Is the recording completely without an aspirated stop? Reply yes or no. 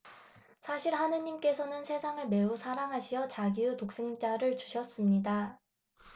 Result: yes